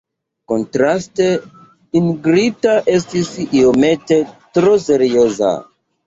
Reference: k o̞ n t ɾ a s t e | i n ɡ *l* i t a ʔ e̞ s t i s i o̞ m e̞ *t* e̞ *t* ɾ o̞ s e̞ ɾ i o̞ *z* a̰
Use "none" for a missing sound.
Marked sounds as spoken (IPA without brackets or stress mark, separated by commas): ɾ, t, t, z